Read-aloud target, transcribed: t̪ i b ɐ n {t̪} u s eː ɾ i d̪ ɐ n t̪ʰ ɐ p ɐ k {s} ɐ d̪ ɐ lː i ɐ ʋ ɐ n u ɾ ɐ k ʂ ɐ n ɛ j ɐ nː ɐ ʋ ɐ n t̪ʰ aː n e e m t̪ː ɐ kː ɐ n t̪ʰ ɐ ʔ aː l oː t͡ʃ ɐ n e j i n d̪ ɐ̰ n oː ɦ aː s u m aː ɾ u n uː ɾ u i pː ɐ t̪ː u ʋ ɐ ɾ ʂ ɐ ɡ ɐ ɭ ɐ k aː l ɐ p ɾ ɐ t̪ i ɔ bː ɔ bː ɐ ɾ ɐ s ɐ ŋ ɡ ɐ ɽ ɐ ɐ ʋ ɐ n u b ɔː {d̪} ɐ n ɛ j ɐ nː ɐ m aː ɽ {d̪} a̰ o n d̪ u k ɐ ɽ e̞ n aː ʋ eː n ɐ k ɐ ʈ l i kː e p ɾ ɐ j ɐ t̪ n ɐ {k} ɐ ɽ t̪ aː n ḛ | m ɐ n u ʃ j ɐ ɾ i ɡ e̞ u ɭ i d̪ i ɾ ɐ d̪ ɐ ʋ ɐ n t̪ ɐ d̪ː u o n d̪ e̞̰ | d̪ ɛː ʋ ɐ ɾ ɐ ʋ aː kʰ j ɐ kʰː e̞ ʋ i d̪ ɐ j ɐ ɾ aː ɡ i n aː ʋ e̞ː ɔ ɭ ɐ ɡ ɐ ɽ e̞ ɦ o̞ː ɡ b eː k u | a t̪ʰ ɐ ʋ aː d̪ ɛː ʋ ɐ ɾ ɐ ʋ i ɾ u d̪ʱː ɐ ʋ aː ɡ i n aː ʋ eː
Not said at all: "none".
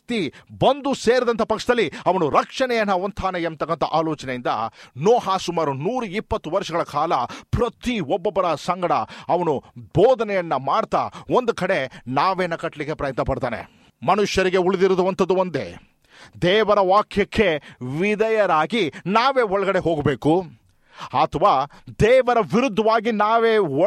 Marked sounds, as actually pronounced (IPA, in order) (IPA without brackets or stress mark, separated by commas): d̪, ʂ, d̪, t̪, p